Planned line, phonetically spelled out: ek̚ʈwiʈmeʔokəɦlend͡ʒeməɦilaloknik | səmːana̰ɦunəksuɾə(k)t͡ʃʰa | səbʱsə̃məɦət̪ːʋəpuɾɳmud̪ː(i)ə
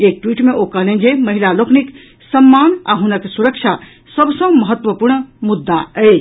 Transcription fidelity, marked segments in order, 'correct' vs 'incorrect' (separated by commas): correct, incorrect